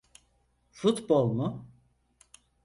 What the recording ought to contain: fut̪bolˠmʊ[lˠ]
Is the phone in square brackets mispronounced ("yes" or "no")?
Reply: yes